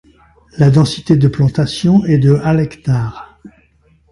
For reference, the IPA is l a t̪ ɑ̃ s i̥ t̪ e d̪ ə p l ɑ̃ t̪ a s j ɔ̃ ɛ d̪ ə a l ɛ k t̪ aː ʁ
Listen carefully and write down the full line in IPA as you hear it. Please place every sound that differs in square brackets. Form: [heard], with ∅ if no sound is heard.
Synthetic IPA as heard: l a [d̪] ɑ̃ s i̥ t̪ e d̪ ə p l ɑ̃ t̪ a s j ɔ̃ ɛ d̪ ə a l ɛ k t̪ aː ʁ